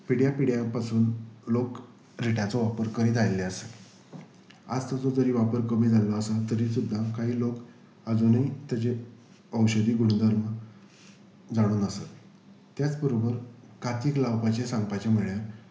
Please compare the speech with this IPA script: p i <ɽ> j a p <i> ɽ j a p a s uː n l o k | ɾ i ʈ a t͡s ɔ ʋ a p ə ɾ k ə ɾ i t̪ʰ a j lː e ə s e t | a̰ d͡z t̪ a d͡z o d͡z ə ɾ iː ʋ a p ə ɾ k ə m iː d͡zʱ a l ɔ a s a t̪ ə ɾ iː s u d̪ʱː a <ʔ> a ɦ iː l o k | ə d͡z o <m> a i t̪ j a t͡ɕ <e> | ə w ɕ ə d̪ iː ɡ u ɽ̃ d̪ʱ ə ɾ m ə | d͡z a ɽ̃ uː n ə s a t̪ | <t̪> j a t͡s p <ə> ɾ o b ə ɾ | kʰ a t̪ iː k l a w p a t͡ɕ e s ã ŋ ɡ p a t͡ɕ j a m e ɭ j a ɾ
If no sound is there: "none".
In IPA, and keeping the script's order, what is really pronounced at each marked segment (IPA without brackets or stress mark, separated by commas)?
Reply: ɽ, i, k, n, e, t̪, ə